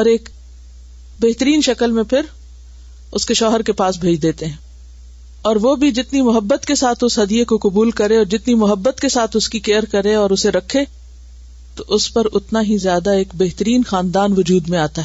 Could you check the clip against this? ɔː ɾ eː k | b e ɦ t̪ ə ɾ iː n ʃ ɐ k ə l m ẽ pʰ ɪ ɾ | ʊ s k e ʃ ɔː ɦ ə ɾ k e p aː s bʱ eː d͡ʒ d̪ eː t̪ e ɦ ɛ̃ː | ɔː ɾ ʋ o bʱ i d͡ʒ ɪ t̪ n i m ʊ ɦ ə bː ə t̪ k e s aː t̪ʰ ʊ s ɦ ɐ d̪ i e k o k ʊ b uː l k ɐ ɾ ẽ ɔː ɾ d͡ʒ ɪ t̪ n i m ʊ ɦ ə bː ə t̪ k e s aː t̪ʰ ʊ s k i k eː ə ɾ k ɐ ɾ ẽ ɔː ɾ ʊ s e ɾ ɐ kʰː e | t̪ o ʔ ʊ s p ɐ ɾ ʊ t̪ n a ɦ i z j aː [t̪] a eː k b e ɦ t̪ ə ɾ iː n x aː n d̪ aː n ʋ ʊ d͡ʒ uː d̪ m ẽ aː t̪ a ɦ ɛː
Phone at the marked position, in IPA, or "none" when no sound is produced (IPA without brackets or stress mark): d̪